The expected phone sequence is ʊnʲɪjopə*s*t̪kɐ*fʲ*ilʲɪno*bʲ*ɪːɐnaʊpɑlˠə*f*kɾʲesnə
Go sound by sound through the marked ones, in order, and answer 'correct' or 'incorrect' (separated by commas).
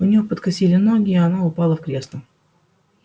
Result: incorrect, incorrect, incorrect, correct